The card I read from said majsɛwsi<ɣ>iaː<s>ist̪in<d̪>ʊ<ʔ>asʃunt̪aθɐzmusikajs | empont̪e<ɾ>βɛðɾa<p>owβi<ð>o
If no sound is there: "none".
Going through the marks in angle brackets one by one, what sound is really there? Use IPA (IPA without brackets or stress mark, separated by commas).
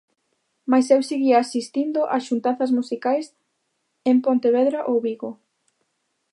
ɣ, s, d̪, ʔ, none, ʔ, ɣ